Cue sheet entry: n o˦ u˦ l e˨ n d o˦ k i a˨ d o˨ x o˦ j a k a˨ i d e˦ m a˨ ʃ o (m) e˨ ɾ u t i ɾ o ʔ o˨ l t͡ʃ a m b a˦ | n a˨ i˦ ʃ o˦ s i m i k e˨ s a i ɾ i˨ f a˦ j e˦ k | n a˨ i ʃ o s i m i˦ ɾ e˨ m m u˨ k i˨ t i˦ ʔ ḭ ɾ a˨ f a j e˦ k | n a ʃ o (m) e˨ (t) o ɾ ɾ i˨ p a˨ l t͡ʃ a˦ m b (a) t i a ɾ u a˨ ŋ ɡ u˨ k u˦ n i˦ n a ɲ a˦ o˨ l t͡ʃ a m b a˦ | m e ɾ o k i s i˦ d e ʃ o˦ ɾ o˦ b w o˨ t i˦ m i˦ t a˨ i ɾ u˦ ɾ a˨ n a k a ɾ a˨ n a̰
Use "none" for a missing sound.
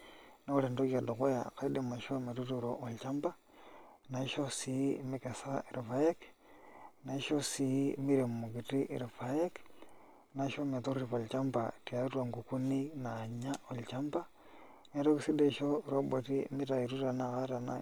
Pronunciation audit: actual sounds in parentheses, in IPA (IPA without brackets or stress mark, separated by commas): m, m, t, a